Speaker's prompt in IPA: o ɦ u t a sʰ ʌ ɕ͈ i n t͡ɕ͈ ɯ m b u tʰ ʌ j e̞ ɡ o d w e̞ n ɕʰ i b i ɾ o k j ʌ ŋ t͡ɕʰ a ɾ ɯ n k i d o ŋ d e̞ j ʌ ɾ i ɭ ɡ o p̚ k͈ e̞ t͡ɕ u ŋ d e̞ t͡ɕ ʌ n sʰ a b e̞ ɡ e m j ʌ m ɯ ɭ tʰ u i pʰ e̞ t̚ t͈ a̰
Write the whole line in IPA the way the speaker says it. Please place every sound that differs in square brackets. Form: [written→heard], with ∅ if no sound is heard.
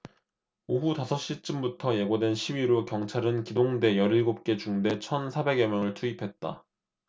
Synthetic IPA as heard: o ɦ u t a sʰ ʌ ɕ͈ i [n→∅] t͡ɕ͈ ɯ m b u tʰ ʌ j e̞ ɡ o d w e̞ n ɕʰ i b i ɾ o k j ʌ ŋ t͡ɕʰ a ɾ ɯ n k i d o ŋ d e̞ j ʌ ɾ i ɭ ɡ o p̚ k͈ e̞ t͡ɕ u ŋ d e̞ [t͡ɕ→t͡ɕʰ] ʌ n sʰ a b e̞ ɡ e m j ʌ [m→ŋ] ɯ ɭ tʰ u i pʰ e̞ t̚ t͈ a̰

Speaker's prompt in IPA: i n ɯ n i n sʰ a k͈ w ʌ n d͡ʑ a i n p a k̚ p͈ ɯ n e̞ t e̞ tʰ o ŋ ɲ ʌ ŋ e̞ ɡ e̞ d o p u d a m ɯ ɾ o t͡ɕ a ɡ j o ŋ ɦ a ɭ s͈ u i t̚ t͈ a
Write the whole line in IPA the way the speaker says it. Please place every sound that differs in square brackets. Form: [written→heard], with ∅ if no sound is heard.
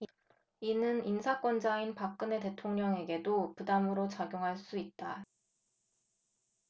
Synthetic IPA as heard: i n ɯ n i n sʰ a k͈ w ʌ n d͡ʑ a i n p a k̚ [p͈→k͈] ɯ n e̞ t e̞ tʰ o ŋ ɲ ʌ ŋ e̞ ɡ e̞ d o p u d a m ɯ ɾ o t͡ɕ a ɡ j o ŋ ɦ a ɭ s͈ u i t̚ t͈ a

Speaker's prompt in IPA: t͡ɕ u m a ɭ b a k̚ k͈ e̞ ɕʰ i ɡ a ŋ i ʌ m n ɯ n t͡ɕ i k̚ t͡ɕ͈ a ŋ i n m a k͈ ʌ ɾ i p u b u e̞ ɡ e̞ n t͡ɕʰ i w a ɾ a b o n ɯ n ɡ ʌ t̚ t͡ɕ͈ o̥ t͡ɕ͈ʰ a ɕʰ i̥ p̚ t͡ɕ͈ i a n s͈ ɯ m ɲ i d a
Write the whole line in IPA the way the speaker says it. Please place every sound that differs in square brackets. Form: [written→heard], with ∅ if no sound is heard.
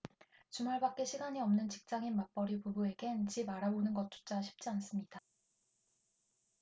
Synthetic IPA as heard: t͡ɕ u m a ɭ b a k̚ k͈ e̞ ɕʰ i ɡ a [ŋ→ɲ] i ʌ m n ɯ n t͡ɕ i k̚ t͡ɕ͈ a ŋ i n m a [k͈→p͈] ʌ ɾ i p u b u e̞ ɡ e̞ n [t͡ɕʰ→t͡ɕ] i [w→b] a ɾ a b o n ɯ n ɡ ʌ t̚ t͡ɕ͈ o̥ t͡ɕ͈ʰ a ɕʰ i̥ p̚ t͡ɕ͈ i a n s͈ ɯ m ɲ i d a

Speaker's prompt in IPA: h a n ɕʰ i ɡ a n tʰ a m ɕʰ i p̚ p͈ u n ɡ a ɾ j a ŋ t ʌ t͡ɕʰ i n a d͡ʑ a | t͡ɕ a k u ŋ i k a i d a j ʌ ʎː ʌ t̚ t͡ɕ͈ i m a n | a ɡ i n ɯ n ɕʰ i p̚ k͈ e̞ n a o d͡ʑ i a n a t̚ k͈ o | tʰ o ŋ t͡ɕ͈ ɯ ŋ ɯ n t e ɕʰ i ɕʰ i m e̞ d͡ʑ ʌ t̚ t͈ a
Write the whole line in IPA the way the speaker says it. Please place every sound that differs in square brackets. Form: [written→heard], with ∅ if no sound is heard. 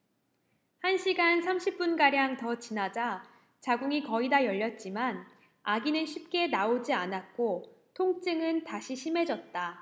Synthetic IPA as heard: h a n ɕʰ i ɡ a n [tʰ→sʰ] a m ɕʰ i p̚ p͈ u n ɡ a ɾ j a ŋ t ʌ [t͡ɕʰ→t͡ɕ] i n a d͡ʑ a | t͡ɕ a [k→ɡ] u ŋ i k [a→ʌ] i d a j ʌ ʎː ʌ t̚ t͡ɕ͈ i m a n | a ɡ i n ɯ n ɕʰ i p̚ k͈ e̞ n a o d͡ʑ i a n a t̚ k͈ o | tʰ o ŋ t͡ɕ͈ ɯ ŋ ɯ n t [e→a] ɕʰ i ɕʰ i m e̞ d͡ʑ ʌ t̚ t͈ a

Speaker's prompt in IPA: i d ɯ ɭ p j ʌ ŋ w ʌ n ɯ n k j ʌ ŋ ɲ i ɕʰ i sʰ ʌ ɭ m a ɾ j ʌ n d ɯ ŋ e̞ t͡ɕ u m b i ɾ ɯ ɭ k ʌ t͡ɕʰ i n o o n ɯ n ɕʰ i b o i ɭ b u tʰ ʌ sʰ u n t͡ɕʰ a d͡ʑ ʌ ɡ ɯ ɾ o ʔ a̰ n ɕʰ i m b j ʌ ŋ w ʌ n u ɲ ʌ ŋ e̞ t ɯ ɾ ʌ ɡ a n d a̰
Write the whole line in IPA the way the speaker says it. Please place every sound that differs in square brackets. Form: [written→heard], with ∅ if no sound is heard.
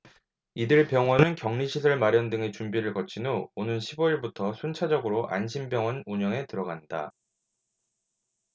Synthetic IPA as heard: i d ɯ ɭ p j ʌ ŋ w ʌ n ɯ n k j ʌ ŋ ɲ i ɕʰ i sʰ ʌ ɭ m a ɾ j ʌ n d ɯ ŋ e̞ t͡ɕ u m b i ɾ ɯ ɭ k ʌ t͡ɕʰ i n o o n ɯ n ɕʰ i b o i ɭ b u tʰ ʌ sʰ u n t͡ɕʰ a d͡ʑ ʌ ɡ ɯ ɾ o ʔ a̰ n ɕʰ i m b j ʌ ŋ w ʌ n u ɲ ʌ ŋ e̞ t ɯ ɾ ʌ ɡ a n d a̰

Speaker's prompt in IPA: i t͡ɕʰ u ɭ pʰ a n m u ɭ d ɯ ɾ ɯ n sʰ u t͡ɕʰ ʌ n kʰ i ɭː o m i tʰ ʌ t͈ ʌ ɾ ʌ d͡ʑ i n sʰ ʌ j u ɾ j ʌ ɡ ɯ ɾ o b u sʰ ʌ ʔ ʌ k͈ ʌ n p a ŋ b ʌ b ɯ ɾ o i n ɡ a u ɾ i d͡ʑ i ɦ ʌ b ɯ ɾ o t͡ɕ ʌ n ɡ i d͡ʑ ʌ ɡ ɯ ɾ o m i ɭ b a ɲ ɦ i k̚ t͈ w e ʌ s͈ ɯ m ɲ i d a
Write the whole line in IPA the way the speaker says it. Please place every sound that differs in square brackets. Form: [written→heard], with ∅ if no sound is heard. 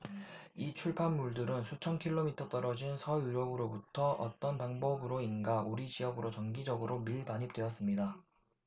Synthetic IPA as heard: i t͡ɕʰ u ɭ pʰ a n m u ɭ d ɯ ɾ ɯ n sʰ u t͡ɕʰ ʌ n kʰ i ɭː o m i tʰ ʌ t͈ ʌ ɾ ʌ d͡ʑ i n sʰ ʌ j u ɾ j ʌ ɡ ɯ ɾ o b u [sʰ→tʰ] ʌ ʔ ʌ [k͈→t͈] ʌ n p a ŋ b ʌ b ɯ ɾ o i n ɡ a u ɾ i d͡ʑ i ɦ ʌ [b→ɡ] ɯ ɾ o t͡ɕ ʌ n ɡ i d͡ʑ ʌ ɡ ɯ ɾ o m i ɭ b a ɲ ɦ i [k̚→p̚] t͈ w e ʌ s͈ ɯ m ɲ i d a

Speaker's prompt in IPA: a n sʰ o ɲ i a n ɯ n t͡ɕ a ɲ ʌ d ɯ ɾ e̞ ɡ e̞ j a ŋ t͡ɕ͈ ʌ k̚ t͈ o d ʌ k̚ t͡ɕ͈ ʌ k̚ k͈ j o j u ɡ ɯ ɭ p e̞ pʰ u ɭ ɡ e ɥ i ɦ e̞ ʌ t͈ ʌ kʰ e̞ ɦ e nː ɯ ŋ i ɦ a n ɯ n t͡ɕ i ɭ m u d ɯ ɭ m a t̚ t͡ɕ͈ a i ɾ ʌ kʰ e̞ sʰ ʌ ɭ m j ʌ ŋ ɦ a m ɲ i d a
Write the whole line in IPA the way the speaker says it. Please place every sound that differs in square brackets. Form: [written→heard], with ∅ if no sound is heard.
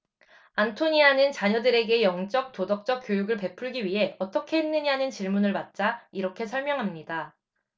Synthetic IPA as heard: a n [sʰ→tʰ] o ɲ i a n ɯ n t͡ɕ a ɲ ʌ d ɯ ɾ e̞ ɡ e̞ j [a→ʌ] ŋ t͡ɕ͈ ʌ k̚ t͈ o d ʌ k̚ t͡ɕ͈ ʌ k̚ k͈ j o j u ɡ ɯ ɭ p e̞ pʰ u ɭ ɡ [e→i] ɥ i ɦ e̞ ʌ t͈ ʌ kʰ e̞ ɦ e nː ɯ [ŋ→ɲ] i ɦ a n ɯ n t͡ɕ i ɭ m u [d→n] ɯ ɭ m a t̚ t͡ɕ͈ a i ɾ ʌ kʰ e̞ sʰ ʌ ɭ m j ʌ ŋ ɦ a m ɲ i d a

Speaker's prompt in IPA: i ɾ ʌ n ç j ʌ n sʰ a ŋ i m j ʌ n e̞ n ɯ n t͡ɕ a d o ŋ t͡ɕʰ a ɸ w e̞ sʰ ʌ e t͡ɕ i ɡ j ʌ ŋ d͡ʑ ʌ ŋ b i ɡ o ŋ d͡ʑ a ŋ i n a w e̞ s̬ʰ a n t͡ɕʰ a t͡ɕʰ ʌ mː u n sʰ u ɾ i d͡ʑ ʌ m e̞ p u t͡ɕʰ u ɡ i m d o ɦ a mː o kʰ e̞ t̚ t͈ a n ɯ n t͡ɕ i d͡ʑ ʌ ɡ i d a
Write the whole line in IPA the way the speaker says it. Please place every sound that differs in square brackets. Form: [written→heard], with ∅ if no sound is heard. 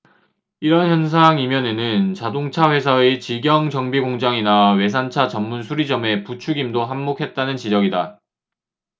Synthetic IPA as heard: i ɾ ʌ n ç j ʌ n sʰ a ŋ i m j ʌ n e̞ n ɯ n t͡ɕ a d o ŋ t͡ɕʰ a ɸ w e̞ sʰ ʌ e t͡ɕ i ɡ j ʌ ŋ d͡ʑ ʌ ŋ b i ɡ o ŋ d͡ʑ a ŋ i n a w e̞ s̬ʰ a n t͡ɕʰ a [t͡ɕʰ→t͡ɕ] ʌ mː u n sʰ u ɾ i d͡ʑ ʌ m e̞ p u t͡ɕʰ u ɡ i m d o ɦ a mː o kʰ e̞ t̚ t͈ a n ɯ n t͡ɕ i d͡ʑ ʌ ɡ i d a

